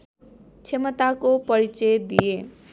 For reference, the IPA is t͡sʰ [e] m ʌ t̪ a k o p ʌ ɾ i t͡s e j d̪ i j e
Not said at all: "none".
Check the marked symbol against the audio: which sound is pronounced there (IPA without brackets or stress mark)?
e